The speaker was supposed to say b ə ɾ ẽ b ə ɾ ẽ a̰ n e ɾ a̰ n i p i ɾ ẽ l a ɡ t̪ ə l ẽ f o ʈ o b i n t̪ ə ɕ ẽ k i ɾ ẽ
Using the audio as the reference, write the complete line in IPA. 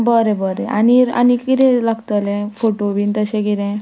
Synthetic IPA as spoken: b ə ɾ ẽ b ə ɾ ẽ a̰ n i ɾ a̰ n i k i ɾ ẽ l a ɡ t̪ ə l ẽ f o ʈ o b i n t̪ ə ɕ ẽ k i ɾ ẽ